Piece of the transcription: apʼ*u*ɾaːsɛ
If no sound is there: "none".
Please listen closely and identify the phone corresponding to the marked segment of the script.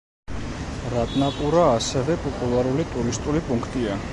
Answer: u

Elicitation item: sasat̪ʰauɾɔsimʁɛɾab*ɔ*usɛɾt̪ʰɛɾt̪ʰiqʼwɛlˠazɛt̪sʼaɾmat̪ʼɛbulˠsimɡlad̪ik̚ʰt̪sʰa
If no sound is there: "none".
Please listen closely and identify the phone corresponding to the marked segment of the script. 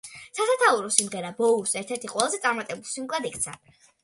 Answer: ɔ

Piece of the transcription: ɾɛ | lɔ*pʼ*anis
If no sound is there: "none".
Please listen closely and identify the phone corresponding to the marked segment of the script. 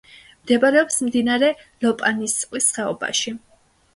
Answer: pʼ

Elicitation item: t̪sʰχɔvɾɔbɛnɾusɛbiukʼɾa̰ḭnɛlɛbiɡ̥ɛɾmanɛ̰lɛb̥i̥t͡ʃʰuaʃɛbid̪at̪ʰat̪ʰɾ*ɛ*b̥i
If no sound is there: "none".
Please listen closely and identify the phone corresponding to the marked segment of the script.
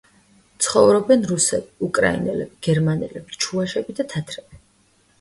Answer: ɛ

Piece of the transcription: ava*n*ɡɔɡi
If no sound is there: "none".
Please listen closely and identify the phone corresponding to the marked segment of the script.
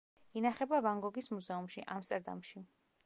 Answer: ŋ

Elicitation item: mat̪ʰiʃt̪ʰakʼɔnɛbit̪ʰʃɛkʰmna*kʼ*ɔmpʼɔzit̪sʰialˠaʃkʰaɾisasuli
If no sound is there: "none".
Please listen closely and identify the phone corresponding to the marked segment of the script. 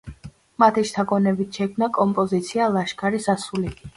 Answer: kʼ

